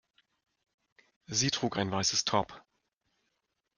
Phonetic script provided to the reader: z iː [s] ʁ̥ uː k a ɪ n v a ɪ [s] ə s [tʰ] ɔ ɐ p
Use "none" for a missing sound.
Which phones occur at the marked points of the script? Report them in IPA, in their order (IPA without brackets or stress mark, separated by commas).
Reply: t, s, tʰ